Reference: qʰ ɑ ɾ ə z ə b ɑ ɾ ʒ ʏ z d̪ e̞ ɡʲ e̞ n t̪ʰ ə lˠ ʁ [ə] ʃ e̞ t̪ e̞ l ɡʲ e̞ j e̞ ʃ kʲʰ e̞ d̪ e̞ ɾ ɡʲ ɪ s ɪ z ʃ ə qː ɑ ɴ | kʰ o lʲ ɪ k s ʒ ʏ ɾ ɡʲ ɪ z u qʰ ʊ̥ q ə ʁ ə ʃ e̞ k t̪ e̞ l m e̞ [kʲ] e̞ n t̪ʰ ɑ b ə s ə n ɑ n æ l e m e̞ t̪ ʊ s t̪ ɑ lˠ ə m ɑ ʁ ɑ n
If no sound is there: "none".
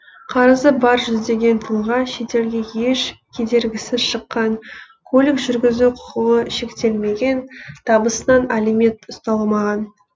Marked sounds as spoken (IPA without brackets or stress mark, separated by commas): ɑ, ɡʲ